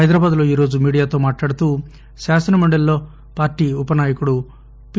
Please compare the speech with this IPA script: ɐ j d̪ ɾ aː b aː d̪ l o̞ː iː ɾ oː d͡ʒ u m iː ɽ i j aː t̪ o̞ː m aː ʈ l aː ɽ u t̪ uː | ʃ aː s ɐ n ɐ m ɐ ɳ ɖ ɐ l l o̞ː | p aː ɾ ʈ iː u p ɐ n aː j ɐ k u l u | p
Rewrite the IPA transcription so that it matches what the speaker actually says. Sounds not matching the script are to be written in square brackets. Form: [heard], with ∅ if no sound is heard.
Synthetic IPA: ɐ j d̪ ɾ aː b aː d̪ l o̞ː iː ɾ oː d͡ʒ u m iː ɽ i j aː t̪ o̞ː m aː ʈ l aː ɽ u t̪ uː | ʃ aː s ɐ n ɐ m ɐ ɳ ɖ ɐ l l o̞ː | p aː ɾ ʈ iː u p ɐ n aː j ɐ k u [ɽ] u | p

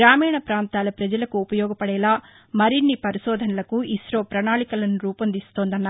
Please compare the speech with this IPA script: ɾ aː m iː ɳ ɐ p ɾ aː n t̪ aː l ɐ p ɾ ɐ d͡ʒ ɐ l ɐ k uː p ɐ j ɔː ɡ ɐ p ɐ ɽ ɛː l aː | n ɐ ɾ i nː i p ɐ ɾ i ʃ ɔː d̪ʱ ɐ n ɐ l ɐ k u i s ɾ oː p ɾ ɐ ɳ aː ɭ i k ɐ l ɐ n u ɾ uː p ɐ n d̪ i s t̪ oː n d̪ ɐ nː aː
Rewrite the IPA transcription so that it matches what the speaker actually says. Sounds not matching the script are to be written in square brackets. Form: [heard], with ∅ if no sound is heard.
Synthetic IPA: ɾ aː m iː ɳ ɐ p ɾ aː n t̪ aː l ɐ p ɾ ɐ d͡ʒ ɐ l ɐ k uː p ɐ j ɔː ɡ ɐ p ɐ ɽ ɛː l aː | [m] ɐ ɾ i nː i p ɐ ɾ i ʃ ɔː d̪ʱ ɐ n ɐ l ɐ k u i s ɾ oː p ɾ ɐ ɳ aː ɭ i k ɐ l ɐ n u ɾ uː p ɐ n d̪ i s t̪ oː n d̪ ɐ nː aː

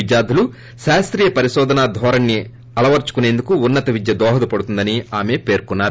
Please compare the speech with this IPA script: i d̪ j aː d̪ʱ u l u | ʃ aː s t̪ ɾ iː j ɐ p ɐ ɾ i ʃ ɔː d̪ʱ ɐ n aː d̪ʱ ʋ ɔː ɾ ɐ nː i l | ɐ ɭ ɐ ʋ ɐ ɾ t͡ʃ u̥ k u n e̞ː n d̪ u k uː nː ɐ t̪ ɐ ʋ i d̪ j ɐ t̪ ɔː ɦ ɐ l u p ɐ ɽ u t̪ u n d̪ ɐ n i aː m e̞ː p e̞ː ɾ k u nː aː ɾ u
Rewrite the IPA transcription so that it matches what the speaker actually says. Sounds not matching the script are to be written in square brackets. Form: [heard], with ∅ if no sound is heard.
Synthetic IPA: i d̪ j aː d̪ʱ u l u | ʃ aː s t̪ ɾ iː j ɐ p ɐ ɾ i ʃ ɔː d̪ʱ ɐ n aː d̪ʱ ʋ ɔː ɾ ɐ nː i [∅] | ɐ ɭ ɐ ʋ ɐ ɾ t͡ʃ u̥ k u n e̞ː n d̪ u k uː nː ɐ t̪ ɐ ʋ i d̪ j ɐ [d̪] ɔː ɦ ɐ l u p ɐ ɽ u t̪ u n d̪ ɐ n i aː m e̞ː p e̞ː ɾ k u nː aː ɾ u

